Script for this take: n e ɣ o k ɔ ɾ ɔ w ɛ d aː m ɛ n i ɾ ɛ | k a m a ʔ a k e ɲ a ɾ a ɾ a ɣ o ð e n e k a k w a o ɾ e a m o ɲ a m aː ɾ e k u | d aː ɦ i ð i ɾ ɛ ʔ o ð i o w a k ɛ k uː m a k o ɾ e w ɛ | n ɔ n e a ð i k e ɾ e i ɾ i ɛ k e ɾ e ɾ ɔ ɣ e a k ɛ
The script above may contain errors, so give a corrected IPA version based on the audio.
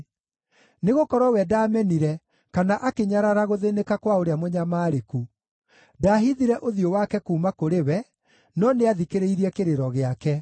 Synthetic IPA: n e ɣ o k ɔ ɾ ɔ w ɛ d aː m ɛ n i ɾ ɛ | k a n a ʔ a k e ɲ a ɾ a ɾ a ɣ o ð e n e k a k w a o ɾ e a m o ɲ a m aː ɾ e k u | d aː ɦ i ð i ɾ ɛ ʔ o ð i o w a k ɛ k uː m a k o ɾ e w ɛ | n ɔ n e a ð i k e ɾ e i ɾ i ɛ k e ɾ e ɾ ɔ ɣ e a k ɛ

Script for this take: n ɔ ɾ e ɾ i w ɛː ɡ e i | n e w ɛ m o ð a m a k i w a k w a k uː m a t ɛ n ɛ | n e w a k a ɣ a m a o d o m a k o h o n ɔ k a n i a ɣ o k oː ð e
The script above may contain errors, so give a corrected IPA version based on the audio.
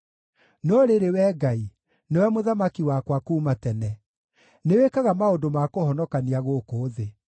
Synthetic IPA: n ɔ ɾ e ɾ e w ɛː ɡ a i | n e w ɛ m o ð a m a k i w a k w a k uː m a t ɛ n ɛ | n e w e k a ɣ a m a o d o m a k o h ɔ n ɔ k a n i a ɣ o k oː ð e

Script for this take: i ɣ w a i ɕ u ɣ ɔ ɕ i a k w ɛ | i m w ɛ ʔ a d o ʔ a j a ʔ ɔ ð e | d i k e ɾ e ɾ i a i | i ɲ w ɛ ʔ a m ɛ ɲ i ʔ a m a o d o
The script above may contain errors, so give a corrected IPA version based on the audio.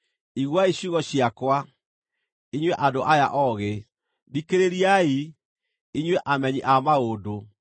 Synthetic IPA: i ɣ w a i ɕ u ɣ ɔ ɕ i a k w a | i ɲ w ɛ ʔ a d o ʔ a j a ʔ ɔ ɣ e | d i k e ɾ e ɾ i a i | i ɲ w ɛ ʔ a m ɛ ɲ i ʔ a m a o d o

